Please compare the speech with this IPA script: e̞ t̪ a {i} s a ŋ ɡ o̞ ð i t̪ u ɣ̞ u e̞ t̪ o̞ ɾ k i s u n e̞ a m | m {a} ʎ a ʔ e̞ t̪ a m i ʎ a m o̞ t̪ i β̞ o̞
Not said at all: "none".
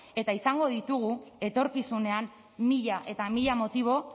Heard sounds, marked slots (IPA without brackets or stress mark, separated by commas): i, i